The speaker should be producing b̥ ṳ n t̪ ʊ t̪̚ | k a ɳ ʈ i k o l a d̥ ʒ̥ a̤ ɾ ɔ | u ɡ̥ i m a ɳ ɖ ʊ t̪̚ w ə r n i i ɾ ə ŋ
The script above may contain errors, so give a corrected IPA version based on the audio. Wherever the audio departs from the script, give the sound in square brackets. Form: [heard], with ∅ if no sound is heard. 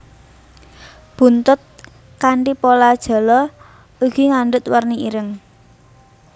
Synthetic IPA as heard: b̥ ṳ n t̪ ʊ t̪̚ | k a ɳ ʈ i [p] o l a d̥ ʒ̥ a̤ [l] ɔ | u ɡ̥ i [ŋ] a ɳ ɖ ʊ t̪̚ w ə r n i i ɾ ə ŋ